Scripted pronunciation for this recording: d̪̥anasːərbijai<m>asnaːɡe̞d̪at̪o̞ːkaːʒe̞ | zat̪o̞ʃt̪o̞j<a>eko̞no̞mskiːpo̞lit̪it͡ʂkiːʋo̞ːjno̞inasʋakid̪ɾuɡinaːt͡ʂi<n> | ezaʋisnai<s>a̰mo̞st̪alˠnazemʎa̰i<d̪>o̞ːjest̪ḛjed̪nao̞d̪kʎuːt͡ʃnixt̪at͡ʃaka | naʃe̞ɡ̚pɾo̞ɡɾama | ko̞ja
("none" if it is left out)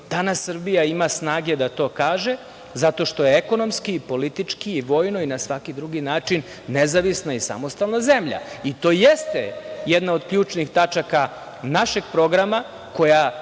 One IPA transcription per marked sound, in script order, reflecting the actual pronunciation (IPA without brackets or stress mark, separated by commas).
m, e, nː, s, t̪